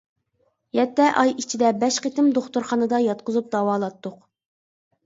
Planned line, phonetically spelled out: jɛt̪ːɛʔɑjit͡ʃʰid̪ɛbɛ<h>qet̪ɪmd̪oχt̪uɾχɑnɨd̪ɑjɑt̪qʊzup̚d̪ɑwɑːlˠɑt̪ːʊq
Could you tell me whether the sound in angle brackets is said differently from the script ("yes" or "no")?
yes